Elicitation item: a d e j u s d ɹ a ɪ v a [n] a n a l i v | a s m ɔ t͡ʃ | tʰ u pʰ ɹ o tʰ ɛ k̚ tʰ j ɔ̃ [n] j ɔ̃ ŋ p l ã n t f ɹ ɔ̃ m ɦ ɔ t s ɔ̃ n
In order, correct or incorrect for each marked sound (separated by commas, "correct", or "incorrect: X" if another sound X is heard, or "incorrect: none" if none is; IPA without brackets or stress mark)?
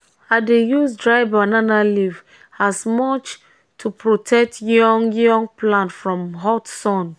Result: correct, incorrect: ŋ